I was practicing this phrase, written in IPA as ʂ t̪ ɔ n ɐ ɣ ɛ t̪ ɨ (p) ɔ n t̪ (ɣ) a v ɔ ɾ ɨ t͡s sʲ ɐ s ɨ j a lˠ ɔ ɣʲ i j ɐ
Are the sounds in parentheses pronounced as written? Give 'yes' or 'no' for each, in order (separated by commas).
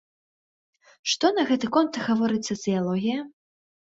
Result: no, yes